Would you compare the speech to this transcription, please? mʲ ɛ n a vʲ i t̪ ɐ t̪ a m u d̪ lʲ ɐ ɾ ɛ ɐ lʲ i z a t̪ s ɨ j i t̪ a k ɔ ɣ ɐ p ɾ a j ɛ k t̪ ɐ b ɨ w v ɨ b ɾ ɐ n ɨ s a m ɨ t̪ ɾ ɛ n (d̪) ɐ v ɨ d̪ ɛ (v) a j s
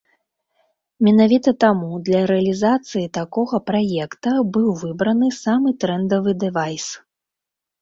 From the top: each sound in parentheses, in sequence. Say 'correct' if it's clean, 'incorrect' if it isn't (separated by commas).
correct, correct